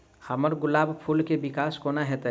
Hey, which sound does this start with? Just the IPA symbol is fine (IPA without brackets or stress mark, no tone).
h